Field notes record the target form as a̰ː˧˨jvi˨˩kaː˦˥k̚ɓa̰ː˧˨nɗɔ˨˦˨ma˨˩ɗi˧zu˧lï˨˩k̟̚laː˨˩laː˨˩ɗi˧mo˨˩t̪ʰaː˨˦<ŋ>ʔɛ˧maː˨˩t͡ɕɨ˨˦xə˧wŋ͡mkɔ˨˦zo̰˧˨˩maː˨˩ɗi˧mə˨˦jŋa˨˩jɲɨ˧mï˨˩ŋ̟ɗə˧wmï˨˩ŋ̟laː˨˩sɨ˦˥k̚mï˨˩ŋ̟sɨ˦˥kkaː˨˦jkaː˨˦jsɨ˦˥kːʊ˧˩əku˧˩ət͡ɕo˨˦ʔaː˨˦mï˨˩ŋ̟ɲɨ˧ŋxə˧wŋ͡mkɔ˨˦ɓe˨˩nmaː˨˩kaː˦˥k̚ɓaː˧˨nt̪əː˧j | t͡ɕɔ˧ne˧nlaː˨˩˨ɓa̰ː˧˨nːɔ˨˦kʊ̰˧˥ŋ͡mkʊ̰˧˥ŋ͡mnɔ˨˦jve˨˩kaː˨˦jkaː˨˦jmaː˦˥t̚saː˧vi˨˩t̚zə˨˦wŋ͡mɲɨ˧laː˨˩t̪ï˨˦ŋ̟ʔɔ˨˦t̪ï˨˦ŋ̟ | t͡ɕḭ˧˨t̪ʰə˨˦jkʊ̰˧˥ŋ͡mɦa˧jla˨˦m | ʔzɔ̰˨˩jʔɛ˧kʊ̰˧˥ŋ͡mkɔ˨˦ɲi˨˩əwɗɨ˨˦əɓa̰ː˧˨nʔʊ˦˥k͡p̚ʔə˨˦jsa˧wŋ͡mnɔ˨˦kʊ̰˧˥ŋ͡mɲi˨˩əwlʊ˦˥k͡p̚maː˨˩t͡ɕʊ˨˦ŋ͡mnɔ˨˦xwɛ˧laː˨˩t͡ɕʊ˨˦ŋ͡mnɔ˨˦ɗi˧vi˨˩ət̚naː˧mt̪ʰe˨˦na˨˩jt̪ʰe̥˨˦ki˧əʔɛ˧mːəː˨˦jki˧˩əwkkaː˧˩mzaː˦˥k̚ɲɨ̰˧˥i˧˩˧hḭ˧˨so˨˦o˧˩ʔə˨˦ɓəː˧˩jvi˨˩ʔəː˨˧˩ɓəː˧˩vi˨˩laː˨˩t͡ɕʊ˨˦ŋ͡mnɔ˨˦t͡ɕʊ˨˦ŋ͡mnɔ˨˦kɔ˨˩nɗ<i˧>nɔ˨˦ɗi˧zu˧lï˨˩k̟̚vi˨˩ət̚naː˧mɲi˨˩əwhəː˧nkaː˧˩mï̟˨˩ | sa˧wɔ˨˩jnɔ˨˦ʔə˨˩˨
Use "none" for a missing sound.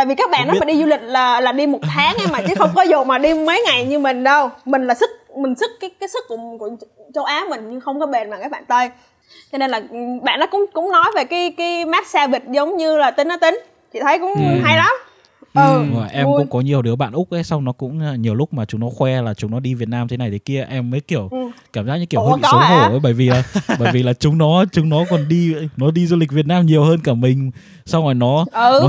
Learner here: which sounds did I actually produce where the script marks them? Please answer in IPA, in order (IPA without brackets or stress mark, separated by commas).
ŋ, i˧